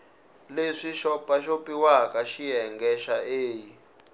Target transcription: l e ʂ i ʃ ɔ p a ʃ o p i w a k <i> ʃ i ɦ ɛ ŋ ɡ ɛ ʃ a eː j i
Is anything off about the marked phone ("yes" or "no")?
yes